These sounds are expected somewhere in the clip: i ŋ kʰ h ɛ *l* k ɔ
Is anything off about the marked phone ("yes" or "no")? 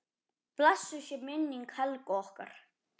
no